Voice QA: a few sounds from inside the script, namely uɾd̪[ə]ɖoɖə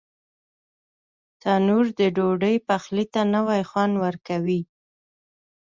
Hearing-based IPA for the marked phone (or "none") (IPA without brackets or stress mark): ə